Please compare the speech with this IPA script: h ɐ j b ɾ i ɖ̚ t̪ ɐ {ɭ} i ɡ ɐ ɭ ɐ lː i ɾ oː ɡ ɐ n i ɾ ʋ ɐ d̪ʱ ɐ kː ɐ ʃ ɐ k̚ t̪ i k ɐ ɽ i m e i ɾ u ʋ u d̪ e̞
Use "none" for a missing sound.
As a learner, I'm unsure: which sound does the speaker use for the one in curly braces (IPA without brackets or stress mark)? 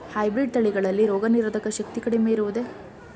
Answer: ɭ